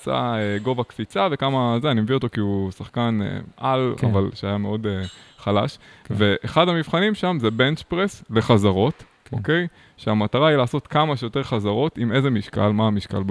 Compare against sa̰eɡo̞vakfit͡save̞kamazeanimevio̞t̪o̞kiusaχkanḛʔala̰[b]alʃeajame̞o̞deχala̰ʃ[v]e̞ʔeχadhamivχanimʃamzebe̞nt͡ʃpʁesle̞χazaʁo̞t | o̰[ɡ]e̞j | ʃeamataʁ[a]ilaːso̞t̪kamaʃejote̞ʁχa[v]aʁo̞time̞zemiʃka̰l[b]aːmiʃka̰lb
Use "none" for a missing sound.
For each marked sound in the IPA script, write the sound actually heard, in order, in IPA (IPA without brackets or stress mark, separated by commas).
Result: v, v, k, a, z, m